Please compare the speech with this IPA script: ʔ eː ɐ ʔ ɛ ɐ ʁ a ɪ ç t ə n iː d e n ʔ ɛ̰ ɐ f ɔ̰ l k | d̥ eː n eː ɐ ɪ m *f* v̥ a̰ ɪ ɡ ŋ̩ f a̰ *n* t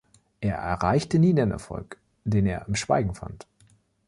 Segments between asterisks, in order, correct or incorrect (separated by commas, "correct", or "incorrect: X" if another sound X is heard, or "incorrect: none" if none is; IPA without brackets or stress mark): incorrect: ʃ, correct